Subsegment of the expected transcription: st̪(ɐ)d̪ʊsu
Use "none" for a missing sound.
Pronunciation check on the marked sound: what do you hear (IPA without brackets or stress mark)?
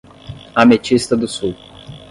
ɐ